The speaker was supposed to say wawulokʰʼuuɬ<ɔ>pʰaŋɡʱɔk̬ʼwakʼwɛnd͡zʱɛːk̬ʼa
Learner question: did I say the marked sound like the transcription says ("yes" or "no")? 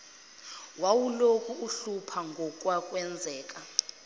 no